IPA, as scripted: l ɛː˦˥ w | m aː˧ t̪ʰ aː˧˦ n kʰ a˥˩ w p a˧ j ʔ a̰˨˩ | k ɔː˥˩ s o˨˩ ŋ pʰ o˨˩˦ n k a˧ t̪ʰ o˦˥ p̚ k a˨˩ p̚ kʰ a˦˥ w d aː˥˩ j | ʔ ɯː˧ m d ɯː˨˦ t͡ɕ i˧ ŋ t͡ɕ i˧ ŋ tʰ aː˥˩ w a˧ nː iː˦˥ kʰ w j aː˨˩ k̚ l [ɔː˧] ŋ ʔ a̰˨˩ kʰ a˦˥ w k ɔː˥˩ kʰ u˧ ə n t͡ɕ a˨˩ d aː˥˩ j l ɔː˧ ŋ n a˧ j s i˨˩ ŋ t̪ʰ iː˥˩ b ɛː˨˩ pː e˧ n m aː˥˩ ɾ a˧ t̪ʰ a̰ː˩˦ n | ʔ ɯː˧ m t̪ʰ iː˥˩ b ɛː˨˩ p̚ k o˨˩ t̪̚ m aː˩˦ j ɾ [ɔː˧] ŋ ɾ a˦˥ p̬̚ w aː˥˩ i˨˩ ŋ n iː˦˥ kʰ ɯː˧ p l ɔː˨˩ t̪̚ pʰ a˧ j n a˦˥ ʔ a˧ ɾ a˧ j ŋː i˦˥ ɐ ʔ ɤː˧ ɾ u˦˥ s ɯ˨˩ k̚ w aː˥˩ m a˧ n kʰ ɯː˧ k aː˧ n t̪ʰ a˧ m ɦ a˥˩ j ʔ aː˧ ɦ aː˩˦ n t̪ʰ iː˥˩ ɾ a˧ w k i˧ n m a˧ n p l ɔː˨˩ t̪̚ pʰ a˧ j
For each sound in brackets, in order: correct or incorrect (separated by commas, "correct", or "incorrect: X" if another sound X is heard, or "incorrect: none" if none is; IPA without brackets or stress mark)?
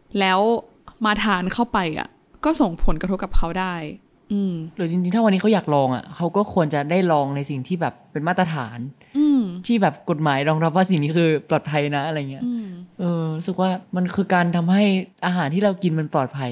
correct, correct